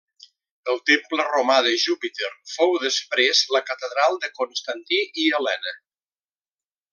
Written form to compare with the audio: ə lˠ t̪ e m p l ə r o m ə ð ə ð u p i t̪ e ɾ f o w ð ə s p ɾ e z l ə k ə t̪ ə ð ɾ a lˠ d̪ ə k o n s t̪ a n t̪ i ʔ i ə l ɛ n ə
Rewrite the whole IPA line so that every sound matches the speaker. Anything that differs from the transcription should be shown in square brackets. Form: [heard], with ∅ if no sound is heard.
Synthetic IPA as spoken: ə lˠ t̪ e m p l ə r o m [a] ð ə [ʒ] u p i t̪ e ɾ f o w ð ə s p ɾ e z l ə k ə t̪ ə ð ɾ a lˠ d̪ ə k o n s t̪ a n t̪ i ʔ i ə l ɛ n ə